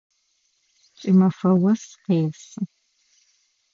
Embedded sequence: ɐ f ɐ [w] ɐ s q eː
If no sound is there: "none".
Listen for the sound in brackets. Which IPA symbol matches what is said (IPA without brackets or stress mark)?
w